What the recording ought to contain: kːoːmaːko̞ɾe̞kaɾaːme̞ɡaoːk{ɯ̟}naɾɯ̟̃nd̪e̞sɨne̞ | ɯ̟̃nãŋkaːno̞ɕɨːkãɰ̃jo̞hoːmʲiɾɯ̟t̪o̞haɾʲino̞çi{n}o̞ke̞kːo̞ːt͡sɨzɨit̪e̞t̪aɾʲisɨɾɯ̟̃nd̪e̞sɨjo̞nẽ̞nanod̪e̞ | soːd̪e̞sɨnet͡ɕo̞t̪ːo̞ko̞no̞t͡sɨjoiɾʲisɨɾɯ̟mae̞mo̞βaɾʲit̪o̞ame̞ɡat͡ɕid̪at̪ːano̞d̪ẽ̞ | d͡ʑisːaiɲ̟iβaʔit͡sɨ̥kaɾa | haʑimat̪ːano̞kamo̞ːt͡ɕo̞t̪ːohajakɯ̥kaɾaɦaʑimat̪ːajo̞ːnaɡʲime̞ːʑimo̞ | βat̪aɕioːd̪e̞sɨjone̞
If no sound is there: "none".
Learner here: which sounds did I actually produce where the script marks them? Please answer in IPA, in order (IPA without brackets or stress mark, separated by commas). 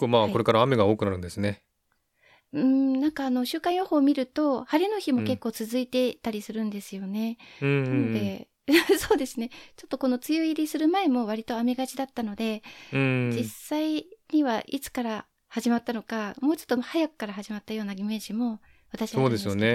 ɯ̟, m